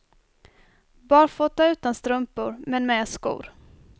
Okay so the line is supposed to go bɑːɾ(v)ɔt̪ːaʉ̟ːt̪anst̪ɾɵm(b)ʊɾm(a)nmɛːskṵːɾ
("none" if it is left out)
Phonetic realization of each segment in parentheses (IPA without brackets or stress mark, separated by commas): f, p, ɛ